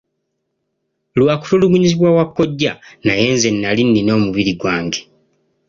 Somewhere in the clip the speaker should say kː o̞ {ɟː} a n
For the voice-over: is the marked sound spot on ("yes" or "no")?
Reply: yes